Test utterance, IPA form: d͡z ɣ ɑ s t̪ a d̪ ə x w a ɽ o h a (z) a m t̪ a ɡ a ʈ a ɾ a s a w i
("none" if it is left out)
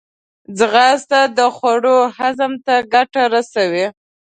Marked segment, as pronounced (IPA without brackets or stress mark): z